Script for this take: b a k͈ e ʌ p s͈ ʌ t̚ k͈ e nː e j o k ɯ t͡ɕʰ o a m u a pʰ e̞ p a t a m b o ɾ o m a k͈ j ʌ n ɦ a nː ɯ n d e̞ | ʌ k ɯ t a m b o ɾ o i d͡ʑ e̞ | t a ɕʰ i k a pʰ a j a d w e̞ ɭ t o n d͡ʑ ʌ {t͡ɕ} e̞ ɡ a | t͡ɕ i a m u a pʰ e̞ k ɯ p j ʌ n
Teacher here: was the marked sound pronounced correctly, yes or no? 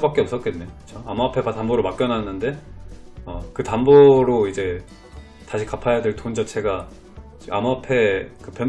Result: no